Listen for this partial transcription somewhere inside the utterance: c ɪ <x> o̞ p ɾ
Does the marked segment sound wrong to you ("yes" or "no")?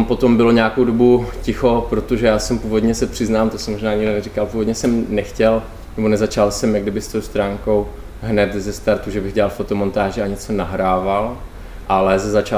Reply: no